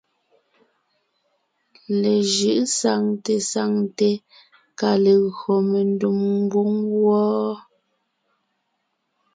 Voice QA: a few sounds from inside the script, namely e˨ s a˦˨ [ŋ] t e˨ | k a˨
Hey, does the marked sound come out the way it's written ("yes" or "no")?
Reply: yes